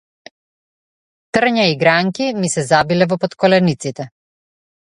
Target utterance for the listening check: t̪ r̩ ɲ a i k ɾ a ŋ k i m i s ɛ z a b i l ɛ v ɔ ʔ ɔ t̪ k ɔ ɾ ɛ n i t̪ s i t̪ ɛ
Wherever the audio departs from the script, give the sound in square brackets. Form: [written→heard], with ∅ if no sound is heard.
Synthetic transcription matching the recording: t̪ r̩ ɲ a i [k→ɡ] ɾ a ŋ k i m i s ɛ z a b i l ɛ v ɔ [ʔ→p] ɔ t̪ k ɔ [ɾ→l] ɛ n i t̪ s i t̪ ɛ